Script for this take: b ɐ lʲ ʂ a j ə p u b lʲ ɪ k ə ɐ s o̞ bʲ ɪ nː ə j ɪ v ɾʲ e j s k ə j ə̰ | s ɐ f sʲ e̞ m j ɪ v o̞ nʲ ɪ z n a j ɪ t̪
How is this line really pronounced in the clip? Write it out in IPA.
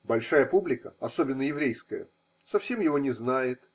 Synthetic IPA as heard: b ɐ lʲ ʂ a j ə p u b lʲ ɪ k ə ɐ s o̞ bʲ ɪ nː ə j ɪ v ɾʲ e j s k ə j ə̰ | s ɐ f sʲ e̞ m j ɪ v o̞ nʲ ɪ z n a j ɪ t̪